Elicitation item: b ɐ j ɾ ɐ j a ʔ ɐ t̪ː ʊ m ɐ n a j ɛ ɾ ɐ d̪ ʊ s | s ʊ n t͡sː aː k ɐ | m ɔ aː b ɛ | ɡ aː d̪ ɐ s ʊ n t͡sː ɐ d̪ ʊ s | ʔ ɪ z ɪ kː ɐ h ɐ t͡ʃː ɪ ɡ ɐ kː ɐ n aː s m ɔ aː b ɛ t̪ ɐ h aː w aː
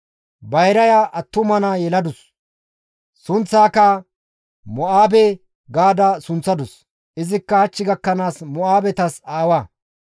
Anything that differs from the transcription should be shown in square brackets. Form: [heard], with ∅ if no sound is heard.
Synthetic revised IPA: b ɐ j ɾ ɐ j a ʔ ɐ t̪ː ʊ m ɐ n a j ɛ [l] ɐ d̪ ʊ s | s ʊ n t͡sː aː k ɐ | m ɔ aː b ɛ | ɡ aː d̪ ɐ s ʊ n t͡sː ɐ d̪ ʊ s | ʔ ɪ z ɪ kː ɐ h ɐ t͡ʃː ɪ ɡ ɐ kː ɐ n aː s m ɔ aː b ɛ t̪ ɐ [s] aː w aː